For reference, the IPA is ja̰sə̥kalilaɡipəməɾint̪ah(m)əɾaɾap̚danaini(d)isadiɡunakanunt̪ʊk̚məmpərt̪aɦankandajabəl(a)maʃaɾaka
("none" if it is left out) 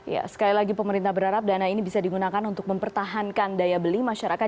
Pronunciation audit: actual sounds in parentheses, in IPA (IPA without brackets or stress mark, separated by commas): b, b, i